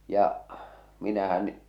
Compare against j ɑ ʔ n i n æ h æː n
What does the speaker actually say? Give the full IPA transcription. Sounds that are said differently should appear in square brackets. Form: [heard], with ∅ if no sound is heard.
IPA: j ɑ ʔ [m] i n æ h [æ] n